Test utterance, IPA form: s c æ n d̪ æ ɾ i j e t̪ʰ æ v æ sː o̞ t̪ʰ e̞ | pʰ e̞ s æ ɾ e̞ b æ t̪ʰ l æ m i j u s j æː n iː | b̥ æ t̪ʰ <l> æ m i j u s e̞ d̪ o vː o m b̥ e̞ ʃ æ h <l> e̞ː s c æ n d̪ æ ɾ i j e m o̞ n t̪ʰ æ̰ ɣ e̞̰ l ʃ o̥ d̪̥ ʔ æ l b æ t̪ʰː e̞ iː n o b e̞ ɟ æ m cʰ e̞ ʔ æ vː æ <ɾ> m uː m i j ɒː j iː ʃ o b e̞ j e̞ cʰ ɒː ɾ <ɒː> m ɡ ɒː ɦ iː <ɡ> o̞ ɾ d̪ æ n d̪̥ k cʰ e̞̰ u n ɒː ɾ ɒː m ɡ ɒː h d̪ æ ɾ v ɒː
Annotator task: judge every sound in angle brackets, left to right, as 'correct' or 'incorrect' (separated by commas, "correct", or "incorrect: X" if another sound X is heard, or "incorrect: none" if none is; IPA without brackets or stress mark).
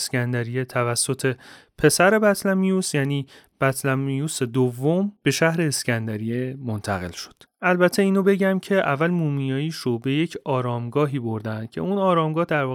correct, incorrect: ɾ, incorrect: l, correct, incorrect: b